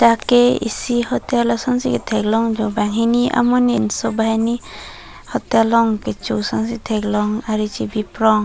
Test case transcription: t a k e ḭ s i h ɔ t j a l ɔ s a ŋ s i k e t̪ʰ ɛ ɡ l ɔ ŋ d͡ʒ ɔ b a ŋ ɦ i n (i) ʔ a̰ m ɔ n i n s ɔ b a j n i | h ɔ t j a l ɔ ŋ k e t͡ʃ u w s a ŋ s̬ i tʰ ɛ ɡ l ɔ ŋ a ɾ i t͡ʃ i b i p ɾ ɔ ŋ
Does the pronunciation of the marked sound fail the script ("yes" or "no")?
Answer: no